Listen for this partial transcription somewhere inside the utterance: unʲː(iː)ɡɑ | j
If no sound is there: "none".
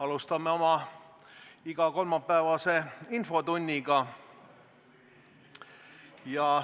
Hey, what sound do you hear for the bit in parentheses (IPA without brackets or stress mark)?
i